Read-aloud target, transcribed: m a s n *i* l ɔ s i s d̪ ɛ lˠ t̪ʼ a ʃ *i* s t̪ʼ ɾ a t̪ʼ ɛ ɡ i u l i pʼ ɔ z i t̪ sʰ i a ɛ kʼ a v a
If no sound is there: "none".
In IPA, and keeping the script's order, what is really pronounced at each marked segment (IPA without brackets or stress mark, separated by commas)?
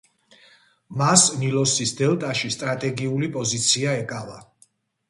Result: i, i